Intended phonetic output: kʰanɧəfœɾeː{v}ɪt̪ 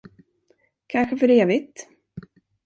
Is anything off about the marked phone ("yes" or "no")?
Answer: no